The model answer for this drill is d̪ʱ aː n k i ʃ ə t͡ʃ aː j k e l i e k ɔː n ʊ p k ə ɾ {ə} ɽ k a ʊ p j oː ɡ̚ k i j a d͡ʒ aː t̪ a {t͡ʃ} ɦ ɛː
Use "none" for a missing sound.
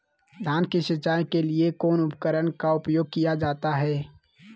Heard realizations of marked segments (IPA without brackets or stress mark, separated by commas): ə, none